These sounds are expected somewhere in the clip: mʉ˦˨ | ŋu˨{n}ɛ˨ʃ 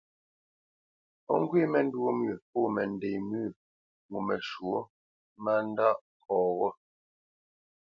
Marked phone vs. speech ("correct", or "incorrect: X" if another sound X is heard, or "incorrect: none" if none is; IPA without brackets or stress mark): incorrect: m